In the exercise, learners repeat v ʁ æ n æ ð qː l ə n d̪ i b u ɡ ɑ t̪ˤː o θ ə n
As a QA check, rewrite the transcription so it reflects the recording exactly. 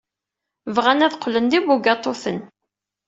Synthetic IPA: v ʁ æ n æ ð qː l ə n d̪ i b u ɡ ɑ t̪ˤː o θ ə n